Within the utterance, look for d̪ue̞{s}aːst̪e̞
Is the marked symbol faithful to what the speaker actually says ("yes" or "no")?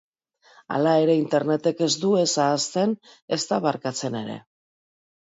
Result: yes